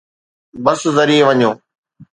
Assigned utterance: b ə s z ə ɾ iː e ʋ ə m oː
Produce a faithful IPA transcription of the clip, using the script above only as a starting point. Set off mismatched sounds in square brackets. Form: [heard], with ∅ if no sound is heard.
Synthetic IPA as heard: b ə s z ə ɾ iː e ʋ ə [ɲ] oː